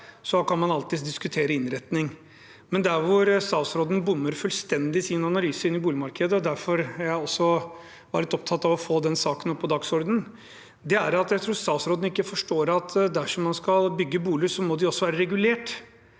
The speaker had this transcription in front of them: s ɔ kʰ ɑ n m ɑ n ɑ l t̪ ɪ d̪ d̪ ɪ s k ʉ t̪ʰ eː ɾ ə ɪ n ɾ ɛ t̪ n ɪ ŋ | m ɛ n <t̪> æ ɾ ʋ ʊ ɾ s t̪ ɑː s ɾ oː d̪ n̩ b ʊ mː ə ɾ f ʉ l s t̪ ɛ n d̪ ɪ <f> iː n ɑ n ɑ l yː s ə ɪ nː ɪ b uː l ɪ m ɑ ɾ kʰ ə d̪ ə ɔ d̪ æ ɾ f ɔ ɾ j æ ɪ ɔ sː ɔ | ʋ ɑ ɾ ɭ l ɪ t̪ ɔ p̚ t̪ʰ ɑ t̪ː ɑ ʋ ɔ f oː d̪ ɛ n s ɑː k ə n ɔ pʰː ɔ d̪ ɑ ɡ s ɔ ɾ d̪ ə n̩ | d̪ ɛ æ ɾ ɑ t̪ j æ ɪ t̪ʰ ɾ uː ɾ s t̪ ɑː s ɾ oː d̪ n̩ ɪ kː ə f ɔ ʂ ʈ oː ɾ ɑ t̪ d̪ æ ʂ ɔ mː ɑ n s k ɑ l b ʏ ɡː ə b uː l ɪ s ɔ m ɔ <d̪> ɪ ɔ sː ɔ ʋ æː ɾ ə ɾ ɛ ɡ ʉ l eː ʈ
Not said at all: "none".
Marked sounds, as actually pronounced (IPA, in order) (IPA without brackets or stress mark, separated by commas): d̪, s, d̪